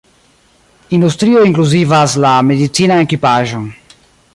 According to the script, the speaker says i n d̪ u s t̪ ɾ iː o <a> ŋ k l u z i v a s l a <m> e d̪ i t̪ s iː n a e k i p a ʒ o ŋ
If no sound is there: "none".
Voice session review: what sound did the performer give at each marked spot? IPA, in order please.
i, m

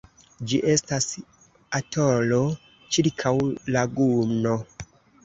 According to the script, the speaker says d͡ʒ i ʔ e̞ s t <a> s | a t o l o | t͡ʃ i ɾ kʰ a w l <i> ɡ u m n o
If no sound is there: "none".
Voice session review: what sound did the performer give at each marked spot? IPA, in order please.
a, a

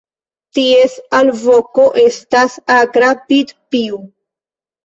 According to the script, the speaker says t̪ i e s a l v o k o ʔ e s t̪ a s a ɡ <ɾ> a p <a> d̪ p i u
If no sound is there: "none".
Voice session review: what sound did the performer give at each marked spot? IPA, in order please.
ɾ, i

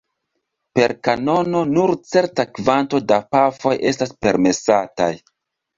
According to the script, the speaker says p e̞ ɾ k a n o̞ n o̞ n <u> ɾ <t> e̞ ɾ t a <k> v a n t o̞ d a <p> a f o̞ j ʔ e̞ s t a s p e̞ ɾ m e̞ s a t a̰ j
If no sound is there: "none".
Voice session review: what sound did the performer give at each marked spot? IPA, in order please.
u, t͡s, k, p

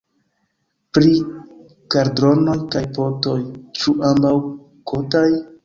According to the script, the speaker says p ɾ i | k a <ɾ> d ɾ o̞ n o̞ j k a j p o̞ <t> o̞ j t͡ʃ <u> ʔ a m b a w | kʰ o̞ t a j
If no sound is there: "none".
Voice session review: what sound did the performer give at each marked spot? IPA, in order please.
ɾ, t, u

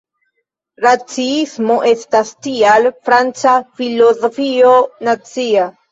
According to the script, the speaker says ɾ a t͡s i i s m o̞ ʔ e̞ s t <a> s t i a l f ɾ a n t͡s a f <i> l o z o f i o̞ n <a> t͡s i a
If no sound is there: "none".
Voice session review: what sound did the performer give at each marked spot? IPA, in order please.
a, i, a

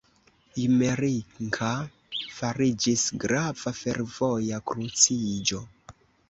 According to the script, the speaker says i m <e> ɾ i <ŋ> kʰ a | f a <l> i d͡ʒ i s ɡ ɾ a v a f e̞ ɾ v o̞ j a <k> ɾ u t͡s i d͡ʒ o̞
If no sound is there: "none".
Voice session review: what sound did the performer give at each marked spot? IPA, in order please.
e, ŋ, ɾ, k

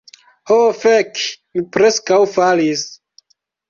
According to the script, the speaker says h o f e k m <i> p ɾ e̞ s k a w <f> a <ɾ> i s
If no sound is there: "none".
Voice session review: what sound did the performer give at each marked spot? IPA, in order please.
i, f, l

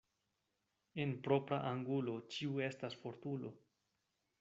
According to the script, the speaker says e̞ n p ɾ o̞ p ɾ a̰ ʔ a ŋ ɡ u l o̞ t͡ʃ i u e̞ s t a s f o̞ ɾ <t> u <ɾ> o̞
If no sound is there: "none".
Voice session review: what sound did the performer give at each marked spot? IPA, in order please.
t, l

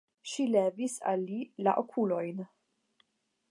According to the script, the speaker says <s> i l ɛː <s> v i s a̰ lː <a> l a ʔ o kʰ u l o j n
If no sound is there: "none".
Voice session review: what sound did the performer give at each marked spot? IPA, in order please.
ʃ, none, i

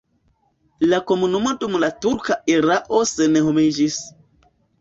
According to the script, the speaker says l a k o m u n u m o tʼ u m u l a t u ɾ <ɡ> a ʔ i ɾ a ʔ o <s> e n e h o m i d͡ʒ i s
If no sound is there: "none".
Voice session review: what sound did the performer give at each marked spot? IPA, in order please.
k, s

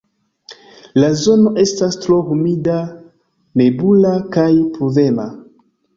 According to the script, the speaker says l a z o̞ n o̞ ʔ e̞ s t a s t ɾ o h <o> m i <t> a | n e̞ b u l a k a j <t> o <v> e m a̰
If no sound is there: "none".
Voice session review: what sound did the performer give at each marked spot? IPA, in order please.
u, d, p, v

